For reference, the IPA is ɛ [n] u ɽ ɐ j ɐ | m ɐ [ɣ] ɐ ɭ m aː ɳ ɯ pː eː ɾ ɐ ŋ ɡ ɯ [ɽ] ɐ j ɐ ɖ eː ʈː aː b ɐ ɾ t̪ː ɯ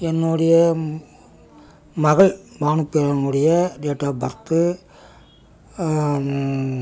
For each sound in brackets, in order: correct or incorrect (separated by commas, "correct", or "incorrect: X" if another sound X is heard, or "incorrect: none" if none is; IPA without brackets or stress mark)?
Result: incorrect: nː, correct, correct